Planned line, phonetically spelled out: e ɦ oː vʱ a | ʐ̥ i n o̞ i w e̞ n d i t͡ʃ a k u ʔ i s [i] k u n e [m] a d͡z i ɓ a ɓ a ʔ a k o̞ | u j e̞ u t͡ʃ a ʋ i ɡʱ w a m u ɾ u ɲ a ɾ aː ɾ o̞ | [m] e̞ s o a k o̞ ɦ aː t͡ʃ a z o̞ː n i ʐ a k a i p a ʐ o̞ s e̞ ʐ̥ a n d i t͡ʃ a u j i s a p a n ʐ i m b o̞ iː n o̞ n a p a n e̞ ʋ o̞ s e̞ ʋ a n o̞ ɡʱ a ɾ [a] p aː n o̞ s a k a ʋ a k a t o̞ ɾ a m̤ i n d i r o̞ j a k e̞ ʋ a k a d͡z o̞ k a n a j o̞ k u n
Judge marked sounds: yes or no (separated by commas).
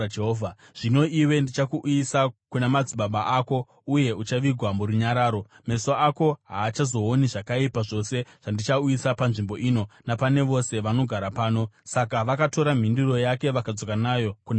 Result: no, yes, yes, yes